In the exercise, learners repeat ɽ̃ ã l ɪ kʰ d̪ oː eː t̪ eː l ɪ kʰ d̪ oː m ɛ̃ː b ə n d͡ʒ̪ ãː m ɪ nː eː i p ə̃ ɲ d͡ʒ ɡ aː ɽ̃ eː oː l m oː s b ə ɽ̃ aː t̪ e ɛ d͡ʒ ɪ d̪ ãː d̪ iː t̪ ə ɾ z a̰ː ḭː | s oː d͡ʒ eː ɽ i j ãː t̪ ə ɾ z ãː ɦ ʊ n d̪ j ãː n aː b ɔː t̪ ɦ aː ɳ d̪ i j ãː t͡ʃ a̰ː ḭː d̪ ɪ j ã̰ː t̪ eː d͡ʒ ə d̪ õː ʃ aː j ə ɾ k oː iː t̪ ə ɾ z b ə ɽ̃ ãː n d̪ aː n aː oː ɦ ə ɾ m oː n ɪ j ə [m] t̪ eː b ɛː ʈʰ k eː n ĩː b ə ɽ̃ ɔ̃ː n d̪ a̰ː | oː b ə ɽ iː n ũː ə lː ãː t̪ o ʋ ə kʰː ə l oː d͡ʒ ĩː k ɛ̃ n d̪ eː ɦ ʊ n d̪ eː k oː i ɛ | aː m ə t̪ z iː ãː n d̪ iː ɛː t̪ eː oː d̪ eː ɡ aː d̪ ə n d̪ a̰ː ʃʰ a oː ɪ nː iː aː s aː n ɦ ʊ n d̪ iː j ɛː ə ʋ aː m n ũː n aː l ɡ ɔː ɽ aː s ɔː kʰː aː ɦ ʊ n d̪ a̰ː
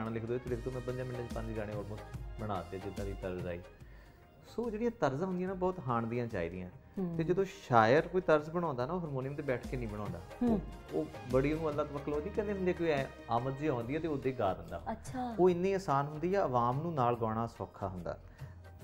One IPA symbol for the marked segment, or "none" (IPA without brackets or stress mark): m